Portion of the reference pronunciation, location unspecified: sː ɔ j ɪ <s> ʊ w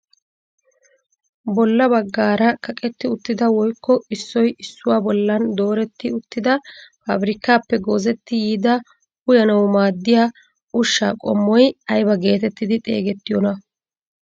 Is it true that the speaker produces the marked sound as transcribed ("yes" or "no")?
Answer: no